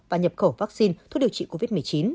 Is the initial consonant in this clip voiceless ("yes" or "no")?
no